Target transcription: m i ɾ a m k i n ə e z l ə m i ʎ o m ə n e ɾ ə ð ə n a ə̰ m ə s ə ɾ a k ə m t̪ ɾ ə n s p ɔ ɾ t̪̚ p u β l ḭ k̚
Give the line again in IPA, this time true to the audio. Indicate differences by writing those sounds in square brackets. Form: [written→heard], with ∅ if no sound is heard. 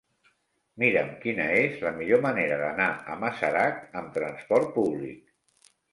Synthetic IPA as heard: m i ɾ [a→ə] m k i n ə e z l ə m i ʎ o m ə n e ɾ ə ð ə n a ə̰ m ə s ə ɾ a k ə m t̪ ɾ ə n s p ɔ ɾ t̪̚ p u β l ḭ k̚